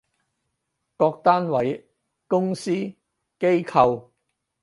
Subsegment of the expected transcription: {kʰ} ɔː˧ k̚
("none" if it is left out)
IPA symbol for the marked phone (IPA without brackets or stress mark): k